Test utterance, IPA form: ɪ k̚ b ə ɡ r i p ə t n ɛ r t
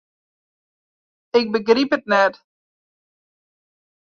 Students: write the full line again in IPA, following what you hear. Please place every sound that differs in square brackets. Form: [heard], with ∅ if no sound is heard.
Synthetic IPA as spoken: ɪ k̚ b ə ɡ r i p ə t n ɛ [∅] t